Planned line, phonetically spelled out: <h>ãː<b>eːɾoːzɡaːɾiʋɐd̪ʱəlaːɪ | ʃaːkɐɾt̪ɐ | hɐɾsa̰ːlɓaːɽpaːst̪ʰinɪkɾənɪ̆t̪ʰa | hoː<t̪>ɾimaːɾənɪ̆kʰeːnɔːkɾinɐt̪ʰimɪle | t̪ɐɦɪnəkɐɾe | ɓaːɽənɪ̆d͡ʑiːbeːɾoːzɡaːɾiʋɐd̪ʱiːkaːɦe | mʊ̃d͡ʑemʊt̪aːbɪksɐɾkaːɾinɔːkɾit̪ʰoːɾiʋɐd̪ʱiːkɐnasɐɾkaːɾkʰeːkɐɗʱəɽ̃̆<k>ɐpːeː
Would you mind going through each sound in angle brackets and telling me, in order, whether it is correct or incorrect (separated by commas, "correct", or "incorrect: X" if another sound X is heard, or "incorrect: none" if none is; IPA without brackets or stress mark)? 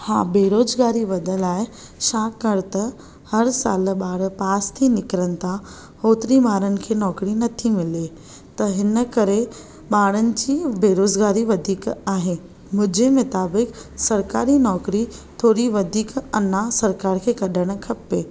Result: correct, correct, correct, incorrect: kʰ